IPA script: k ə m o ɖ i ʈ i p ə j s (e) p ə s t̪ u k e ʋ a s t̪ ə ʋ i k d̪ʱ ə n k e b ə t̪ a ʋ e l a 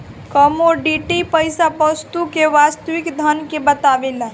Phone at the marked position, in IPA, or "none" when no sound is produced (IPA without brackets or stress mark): a